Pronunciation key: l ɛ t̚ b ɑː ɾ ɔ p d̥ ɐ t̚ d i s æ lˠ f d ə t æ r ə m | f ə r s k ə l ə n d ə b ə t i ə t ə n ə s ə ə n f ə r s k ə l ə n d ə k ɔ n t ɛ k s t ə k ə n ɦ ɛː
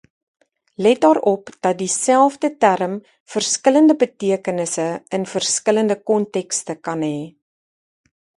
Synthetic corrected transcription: l ɛ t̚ d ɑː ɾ ɔ p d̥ ɐ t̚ d i s æ lˠ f d ə t æ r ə m | f ə r s k ə l ə n d ə b ə t i ə k ə n ə s ə ə n f ə r s k ə l ə n d ə k ɔ n t ɛ k s t ə k ɐ n ɦ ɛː